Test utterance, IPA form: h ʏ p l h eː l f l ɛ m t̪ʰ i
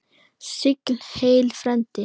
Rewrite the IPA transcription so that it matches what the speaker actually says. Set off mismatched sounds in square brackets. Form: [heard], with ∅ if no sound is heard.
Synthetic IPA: [s] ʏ [k] l h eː l f [ɾ] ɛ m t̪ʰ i